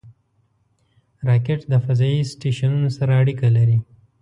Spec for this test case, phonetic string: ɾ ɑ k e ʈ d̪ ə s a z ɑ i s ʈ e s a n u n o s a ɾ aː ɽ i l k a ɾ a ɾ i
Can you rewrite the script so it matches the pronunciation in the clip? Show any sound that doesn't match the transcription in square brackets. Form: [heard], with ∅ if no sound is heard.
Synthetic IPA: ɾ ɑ k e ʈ d̪ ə [f] a z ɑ i s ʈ e [ʃ] a n u n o s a ɾ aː ɽ i [∅] k a [l] a ɾ i